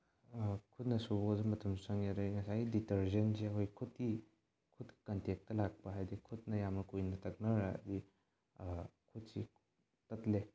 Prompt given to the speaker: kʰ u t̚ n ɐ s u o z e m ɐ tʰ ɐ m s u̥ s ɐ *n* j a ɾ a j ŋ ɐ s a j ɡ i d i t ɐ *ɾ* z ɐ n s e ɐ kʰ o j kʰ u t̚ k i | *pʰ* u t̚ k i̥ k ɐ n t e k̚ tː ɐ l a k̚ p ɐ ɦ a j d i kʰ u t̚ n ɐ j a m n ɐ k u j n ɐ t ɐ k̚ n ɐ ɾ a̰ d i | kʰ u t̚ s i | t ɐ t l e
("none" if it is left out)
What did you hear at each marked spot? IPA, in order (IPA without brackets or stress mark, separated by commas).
ŋ, ɾ, kʰ